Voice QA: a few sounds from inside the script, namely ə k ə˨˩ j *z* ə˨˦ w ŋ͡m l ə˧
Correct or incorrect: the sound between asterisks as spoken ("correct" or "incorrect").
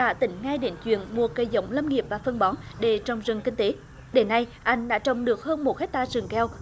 correct